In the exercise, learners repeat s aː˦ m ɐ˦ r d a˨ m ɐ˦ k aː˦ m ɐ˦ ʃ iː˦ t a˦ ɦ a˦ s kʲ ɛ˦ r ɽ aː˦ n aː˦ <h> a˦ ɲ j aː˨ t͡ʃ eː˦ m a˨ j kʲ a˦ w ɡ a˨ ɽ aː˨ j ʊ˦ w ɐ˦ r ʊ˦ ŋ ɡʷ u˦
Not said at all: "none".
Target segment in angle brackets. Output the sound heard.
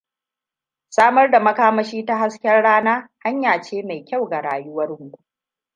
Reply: h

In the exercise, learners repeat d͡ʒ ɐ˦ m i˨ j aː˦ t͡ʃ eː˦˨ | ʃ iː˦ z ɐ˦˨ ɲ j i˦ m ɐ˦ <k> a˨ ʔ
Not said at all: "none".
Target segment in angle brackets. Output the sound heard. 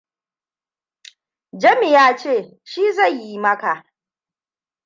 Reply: k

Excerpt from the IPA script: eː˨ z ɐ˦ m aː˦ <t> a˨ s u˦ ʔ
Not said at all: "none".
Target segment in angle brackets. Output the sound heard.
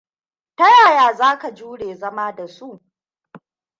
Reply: d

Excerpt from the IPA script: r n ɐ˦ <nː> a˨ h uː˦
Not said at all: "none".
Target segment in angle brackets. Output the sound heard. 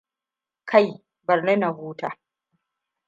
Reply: n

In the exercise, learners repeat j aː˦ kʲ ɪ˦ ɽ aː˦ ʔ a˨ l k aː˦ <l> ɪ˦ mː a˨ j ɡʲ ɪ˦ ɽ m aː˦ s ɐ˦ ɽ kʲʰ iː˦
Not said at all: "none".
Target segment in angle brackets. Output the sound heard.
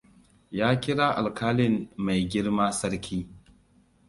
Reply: l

